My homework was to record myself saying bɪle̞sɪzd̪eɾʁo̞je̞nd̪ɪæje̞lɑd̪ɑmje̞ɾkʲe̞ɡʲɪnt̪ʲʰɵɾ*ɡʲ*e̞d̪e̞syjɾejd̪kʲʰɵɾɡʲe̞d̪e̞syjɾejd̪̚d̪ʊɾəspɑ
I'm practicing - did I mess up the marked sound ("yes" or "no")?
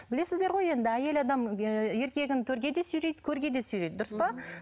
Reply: no